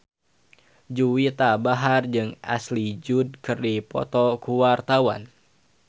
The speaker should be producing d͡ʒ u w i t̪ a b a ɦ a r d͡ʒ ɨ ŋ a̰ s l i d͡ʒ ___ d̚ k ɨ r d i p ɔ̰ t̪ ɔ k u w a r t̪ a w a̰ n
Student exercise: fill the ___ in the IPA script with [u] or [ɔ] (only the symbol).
u